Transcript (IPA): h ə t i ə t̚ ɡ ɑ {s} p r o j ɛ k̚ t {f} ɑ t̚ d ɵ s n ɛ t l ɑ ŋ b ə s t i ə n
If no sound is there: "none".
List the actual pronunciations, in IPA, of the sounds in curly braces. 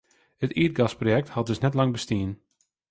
s, h

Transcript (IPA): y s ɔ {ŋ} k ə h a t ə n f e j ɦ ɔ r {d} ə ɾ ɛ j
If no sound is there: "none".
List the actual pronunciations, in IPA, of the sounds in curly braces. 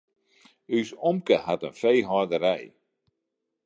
m, d

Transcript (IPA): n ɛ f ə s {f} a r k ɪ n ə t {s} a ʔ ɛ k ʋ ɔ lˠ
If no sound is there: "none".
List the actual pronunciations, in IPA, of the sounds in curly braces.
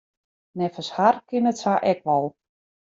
h, s

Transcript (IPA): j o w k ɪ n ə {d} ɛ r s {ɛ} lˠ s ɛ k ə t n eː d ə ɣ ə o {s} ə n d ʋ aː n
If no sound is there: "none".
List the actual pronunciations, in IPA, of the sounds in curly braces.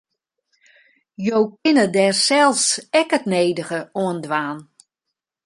d, ɛ, none

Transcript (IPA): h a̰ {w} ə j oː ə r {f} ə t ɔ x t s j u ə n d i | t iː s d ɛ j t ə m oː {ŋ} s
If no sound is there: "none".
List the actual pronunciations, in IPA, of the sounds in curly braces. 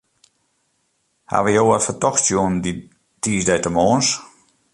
ʋ, f, n

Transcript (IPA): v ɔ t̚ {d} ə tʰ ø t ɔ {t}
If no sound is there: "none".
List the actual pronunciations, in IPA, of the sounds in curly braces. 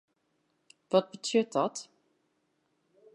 b, t

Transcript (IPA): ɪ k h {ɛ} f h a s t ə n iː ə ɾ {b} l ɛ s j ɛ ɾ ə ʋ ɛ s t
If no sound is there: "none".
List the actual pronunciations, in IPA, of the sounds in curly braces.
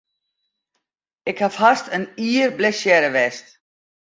a, b

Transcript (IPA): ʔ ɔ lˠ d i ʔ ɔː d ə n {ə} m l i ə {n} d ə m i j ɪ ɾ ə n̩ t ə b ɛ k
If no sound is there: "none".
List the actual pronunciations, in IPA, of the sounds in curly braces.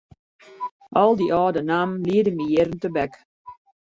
a, none

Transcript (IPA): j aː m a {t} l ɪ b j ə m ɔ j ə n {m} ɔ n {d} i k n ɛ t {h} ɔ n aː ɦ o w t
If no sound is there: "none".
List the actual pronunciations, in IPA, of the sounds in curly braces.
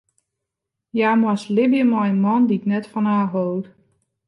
s, m, d, f

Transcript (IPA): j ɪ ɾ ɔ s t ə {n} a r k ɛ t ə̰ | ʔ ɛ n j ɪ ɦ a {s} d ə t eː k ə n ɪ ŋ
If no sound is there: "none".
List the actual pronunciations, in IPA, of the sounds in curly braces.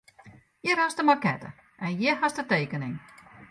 m, s

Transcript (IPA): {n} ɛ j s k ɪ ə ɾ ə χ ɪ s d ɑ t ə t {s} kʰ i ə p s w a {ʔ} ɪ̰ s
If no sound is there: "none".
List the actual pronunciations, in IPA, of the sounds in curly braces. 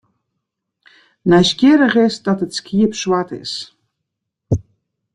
n, s, t

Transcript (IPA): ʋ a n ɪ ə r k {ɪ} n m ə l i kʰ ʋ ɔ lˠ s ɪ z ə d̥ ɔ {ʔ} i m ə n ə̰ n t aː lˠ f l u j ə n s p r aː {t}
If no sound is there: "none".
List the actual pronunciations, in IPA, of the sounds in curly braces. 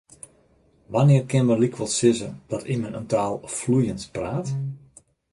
ɪ, t, t

